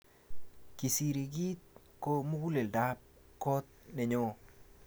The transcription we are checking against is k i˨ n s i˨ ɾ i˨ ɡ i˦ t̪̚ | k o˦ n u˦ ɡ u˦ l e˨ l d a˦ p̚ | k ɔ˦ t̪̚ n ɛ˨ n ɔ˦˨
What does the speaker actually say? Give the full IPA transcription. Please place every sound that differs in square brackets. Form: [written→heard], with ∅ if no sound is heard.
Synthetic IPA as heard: k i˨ [n→∅] s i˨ ɾ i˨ ɡ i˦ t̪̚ | k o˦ [n→m] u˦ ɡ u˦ l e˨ l d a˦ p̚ | k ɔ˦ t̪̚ n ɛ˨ [n→ɲ] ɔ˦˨